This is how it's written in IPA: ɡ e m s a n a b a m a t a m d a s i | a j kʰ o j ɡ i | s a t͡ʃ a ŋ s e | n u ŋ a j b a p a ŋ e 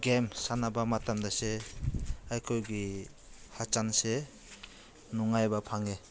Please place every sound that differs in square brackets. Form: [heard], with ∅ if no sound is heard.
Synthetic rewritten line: ɡ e m s a n a b a m a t a m d a s [e] | a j kʰ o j ɡ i | [h] a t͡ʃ a [n] s e | n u ŋ a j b a [pʰ] a ŋ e